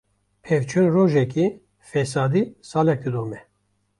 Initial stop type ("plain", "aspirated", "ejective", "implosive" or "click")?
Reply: aspirated